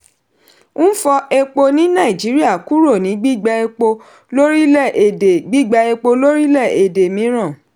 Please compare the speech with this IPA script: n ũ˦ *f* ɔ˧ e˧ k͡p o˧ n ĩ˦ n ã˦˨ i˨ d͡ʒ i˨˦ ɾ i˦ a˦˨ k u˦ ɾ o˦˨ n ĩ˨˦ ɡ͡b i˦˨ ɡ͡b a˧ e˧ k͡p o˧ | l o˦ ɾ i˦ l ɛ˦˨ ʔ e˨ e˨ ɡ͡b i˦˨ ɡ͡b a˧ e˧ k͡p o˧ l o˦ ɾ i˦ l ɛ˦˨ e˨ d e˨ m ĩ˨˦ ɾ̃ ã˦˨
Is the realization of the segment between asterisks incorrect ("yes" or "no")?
no